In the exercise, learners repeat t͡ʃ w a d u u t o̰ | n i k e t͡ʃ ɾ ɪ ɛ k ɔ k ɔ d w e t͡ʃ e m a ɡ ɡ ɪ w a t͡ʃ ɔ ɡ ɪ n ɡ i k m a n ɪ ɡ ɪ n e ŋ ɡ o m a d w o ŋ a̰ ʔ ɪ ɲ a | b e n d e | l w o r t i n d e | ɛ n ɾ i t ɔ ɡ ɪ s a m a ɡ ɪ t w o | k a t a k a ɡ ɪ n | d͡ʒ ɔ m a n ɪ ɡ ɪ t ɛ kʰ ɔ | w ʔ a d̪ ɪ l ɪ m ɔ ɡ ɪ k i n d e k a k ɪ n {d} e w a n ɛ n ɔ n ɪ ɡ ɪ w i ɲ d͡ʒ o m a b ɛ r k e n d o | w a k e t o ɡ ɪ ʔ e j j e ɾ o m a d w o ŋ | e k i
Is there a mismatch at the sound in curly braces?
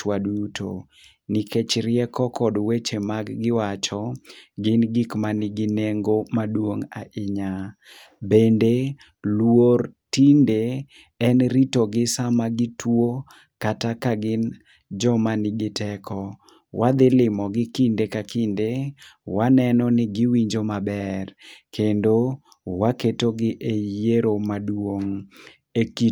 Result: no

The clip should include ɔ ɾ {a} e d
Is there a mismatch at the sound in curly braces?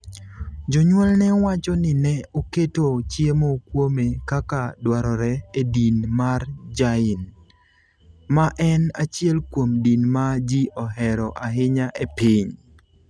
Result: yes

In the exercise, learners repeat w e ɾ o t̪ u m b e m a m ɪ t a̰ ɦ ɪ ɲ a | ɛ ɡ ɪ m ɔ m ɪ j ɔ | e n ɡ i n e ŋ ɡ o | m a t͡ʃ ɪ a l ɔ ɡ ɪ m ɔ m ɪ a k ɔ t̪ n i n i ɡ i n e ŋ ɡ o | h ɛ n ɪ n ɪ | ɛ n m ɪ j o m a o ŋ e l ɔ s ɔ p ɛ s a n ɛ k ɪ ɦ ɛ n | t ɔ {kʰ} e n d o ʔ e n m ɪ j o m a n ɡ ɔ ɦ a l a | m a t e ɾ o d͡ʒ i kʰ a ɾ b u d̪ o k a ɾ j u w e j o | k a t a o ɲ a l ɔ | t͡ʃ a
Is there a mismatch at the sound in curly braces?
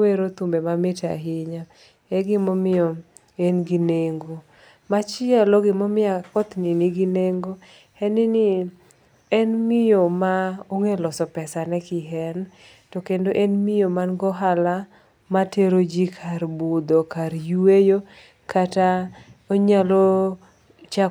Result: yes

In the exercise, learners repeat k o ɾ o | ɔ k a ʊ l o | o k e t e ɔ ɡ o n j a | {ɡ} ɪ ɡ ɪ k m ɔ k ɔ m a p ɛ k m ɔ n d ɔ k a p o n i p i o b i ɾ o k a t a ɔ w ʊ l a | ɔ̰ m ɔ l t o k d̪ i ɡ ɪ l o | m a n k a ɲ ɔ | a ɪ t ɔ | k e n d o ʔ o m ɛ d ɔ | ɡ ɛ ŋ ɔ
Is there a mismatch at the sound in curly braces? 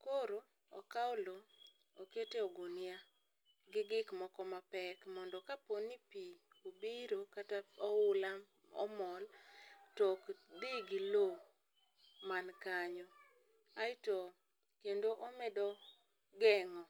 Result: no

